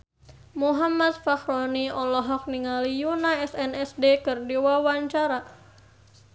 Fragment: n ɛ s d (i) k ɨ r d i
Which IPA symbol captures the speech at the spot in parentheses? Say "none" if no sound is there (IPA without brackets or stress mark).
e